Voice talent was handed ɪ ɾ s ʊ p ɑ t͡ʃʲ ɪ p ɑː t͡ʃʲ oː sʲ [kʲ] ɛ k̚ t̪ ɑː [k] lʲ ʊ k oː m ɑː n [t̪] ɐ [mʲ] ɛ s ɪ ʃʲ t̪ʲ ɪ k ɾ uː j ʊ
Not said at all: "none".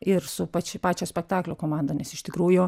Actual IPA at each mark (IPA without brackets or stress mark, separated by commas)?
pʲ, k, d̪, nʲ